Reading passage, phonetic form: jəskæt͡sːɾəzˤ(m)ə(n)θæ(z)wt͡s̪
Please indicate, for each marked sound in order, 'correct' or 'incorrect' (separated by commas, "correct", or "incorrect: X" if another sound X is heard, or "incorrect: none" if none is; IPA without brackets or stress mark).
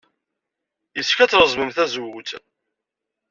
correct, incorrect: m, correct